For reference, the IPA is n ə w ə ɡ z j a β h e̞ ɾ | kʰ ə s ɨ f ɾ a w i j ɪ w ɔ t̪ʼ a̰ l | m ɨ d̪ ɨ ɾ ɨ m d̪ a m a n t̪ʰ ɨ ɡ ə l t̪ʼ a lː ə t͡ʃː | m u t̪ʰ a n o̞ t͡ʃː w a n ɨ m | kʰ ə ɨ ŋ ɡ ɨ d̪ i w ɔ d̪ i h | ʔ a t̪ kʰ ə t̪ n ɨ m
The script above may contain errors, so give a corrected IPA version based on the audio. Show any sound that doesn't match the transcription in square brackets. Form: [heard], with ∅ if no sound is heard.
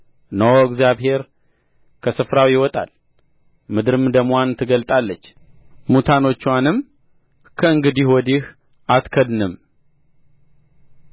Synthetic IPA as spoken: n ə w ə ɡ z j a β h e̞ ɾ | kʰ ə s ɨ f ɾ a w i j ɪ w ɔ t̪ʼ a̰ l | m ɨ d̪ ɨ ɾ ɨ m d̪ [ə] m a n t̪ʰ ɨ ɡ ə l t̪ʼ a lː ə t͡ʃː | m u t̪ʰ a n o̞ t͡ʃː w a n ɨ m | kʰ ə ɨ ŋ ɡ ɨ d̪ i w ɔ d̪ i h | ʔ a t̪ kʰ ə [d̪] n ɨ m